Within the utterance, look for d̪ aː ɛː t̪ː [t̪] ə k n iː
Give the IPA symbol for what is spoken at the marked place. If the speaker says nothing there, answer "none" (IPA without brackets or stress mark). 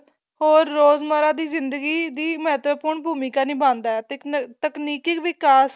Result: t̪